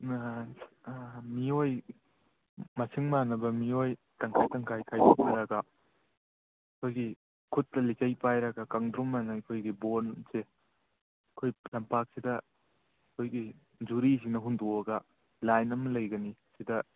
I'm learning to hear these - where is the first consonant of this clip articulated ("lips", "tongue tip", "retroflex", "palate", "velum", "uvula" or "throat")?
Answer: lips